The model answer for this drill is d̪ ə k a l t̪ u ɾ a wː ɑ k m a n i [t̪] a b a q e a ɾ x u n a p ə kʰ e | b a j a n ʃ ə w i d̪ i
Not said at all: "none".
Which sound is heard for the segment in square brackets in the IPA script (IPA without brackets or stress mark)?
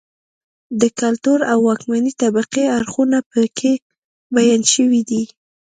t̪